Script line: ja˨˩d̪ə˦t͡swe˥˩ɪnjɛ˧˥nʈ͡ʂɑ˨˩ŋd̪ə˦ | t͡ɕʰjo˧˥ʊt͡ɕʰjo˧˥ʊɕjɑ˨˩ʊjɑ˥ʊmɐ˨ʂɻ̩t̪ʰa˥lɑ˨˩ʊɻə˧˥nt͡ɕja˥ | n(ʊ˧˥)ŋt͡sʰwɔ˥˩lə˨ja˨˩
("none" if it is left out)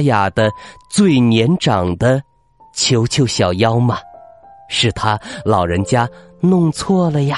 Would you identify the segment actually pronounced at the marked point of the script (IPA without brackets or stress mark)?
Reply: ʊ˥˧